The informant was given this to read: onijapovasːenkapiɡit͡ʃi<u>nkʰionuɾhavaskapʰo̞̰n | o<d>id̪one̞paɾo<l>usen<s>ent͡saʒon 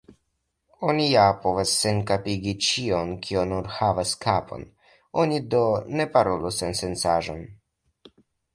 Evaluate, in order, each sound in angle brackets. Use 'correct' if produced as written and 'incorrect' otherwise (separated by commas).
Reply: incorrect, incorrect, correct, correct